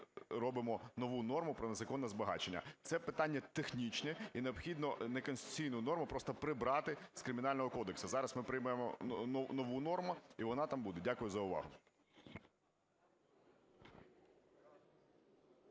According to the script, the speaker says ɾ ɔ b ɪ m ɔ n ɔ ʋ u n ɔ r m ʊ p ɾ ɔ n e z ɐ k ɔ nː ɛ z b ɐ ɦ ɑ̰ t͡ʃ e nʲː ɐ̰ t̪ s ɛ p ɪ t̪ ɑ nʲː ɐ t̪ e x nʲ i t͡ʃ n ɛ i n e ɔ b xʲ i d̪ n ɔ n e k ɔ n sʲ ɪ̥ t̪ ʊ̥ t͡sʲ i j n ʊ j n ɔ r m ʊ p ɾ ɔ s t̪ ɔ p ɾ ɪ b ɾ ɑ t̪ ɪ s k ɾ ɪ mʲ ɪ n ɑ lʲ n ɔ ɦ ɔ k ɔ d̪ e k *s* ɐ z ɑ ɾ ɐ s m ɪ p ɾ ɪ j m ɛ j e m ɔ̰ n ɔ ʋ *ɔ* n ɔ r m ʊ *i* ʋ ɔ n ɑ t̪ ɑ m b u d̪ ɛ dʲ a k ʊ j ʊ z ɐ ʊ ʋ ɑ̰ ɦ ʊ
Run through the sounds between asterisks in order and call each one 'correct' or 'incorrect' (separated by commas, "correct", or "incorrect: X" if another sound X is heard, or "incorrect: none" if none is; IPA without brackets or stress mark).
correct, incorrect: u, correct